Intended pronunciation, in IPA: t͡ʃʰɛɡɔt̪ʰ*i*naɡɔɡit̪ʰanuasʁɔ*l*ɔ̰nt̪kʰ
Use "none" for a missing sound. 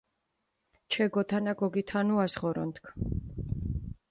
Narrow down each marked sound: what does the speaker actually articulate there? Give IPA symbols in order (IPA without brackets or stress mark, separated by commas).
a, ɾ